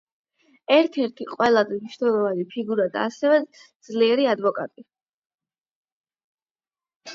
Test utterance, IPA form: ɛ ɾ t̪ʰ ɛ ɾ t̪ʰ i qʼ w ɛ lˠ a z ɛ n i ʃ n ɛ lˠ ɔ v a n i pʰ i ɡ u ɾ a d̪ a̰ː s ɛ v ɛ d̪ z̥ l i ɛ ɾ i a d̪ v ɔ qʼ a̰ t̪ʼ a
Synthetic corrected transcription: ɛ ɾ t̪ʰ ɛ ɾ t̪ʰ i qʼ w ɛ lˠ a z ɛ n i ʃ n ɛ lˠ ɔ v a n i pʰ i ɡ u ɾ a d̪ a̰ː s ɛ v ɛ d̪ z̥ l i ɛ ɾ i a d̪ v ɔ kʼ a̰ t̪ʼ i